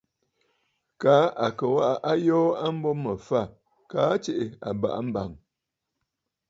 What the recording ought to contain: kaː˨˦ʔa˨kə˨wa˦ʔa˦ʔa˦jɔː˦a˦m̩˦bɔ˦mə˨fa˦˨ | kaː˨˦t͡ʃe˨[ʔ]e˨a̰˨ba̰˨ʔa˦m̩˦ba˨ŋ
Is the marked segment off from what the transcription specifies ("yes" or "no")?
no